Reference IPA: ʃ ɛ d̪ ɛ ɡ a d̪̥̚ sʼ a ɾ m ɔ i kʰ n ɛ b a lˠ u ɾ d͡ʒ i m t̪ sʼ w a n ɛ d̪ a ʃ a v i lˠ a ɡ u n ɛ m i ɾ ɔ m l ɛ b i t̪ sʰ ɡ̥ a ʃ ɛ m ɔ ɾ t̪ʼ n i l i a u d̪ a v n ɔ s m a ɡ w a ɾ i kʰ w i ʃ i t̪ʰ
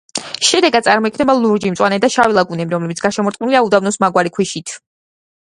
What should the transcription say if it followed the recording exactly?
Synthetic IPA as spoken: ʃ ɛ d̪ ɛ ɡ a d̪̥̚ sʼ a ɾ m ɔ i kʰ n ɛ b a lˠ u ɾ d͡ʒ i m t̪ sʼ w a n ɛ d̪ a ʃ a v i lˠ a ɡ u n ɛ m i ɾ ɔ m l ɛ b i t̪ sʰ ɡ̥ a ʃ ɛ m ɔ ɾ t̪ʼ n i l i a u d̪ a v n ɔ s m a ɡ w a ɾ i kʰ w i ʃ i t̪ʰ